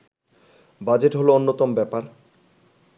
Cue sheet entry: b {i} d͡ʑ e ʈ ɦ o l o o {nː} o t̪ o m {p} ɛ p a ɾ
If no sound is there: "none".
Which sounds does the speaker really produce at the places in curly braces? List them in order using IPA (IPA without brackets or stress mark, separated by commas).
a, nː, b